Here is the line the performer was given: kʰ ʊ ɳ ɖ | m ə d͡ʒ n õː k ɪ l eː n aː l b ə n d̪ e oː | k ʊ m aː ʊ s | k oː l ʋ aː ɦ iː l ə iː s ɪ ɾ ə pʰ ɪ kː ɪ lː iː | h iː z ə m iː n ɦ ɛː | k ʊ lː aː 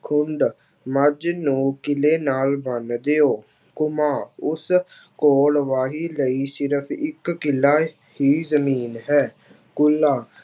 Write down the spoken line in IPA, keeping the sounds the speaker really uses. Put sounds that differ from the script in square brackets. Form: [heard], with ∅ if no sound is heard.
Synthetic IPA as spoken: kʰ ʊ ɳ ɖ | m ə d͡ʒ n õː k ɪ l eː n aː l b ə n d̪ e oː | k ʊ m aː ʊ s | k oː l ʋ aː ɦ iː l ə iː s ɪ ɾ ə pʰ ɪ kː ɪ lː [aː] | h iː z ə m iː n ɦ ɛː | k ʊ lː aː